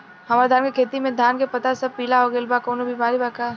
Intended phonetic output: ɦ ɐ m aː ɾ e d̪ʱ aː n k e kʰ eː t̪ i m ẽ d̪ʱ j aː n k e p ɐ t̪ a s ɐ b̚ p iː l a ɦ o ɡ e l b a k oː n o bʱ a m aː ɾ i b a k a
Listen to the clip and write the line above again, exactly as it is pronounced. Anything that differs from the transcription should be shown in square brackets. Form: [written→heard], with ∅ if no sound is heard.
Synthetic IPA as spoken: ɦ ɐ m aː ɾ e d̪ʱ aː n k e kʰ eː t̪ i m ẽ d̪ʱ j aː n k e p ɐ t̪ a s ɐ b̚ p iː l a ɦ o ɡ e l b a k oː n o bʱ [a→i] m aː ɾ i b a k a